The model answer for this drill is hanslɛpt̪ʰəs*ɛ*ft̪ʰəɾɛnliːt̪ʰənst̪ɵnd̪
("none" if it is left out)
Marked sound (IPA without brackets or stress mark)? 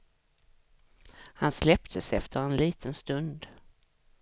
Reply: ɛ